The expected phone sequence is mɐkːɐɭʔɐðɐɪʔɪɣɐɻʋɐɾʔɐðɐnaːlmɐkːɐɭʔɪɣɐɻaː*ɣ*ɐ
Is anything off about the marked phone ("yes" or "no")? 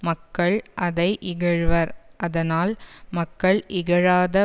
yes